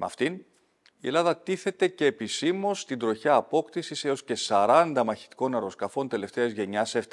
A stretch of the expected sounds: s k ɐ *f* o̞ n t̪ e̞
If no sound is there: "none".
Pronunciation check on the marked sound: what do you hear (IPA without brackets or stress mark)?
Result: f